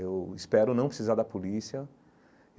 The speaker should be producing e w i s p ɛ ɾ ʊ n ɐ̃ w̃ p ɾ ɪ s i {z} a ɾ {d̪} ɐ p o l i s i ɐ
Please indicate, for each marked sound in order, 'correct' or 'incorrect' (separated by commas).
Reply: correct, correct